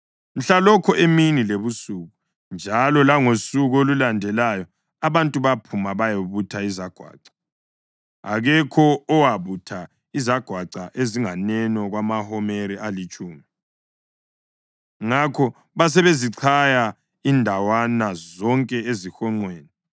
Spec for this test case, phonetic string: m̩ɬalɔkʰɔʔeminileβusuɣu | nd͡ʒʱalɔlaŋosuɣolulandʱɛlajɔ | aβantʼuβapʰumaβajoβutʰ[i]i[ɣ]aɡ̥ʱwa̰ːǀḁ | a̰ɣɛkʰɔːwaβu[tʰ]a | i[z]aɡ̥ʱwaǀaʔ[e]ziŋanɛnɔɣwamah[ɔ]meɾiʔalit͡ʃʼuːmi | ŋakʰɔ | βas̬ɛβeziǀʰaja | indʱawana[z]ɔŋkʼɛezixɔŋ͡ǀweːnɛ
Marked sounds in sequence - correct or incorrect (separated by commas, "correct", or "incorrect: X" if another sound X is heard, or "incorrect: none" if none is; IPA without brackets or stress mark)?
incorrect: a, incorrect: z, correct, correct, correct, correct, correct